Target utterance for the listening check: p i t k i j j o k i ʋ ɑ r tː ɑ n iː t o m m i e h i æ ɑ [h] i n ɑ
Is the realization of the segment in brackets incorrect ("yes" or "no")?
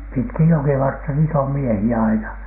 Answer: yes